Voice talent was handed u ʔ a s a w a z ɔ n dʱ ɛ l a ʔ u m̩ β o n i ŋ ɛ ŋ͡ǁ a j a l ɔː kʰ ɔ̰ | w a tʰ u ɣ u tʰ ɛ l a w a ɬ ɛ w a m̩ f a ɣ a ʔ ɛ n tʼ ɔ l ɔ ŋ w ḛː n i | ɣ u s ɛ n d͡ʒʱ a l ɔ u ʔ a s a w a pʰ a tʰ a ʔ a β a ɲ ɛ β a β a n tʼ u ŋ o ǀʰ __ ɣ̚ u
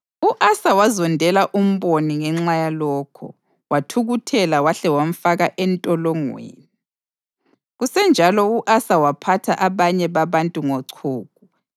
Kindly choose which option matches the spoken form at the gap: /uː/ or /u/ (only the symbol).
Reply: uː